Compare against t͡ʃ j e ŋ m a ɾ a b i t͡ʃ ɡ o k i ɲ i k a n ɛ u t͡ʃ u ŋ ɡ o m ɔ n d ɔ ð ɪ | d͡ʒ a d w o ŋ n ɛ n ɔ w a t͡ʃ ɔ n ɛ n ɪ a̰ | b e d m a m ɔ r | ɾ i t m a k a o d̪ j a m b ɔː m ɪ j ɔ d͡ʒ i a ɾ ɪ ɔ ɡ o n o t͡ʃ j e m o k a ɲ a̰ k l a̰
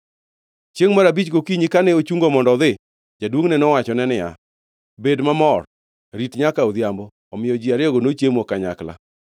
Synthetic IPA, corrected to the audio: t͡ʃ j e ŋ m a ɾ a b i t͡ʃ ɡ o k i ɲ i k a n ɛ o t͡ʃ u ŋ ɡ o m ɔ n d ɔ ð ɪ | d͡ʒ a d w o ŋ n ɛ n ɔ w a t͡ʃ ɔ n ɛ n ɪ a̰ | b e d m a m ɔ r | ɾ i t ɲ a k a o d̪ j a m b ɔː m ɪ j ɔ d͡ʒ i a ɾ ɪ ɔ ɡ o n o t͡ʃ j e m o k a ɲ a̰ k l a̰